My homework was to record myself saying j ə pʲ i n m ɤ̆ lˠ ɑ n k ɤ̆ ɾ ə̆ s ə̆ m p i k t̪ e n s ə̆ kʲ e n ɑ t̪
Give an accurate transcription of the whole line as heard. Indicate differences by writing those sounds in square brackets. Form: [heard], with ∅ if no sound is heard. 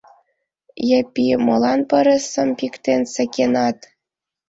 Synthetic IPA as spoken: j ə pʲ i [∅] m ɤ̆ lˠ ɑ n [p] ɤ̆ ɾ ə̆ s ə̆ m p i k t̪ e n s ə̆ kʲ e n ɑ t̪